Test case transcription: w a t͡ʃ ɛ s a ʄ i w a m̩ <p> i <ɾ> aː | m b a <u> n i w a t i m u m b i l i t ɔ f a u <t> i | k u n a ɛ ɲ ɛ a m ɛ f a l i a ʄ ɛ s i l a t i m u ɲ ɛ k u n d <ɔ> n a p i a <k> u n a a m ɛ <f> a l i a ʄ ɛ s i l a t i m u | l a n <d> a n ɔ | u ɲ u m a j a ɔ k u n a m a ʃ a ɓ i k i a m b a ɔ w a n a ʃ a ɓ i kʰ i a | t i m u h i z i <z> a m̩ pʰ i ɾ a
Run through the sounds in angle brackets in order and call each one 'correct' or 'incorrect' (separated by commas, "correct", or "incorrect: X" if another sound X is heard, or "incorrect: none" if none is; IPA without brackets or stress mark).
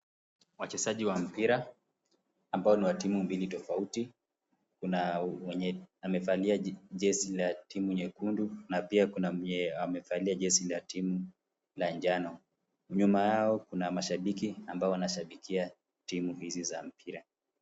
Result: correct, correct, incorrect: ɔ, correct, incorrect: u, correct, correct, incorrect: d͡ʒ, correct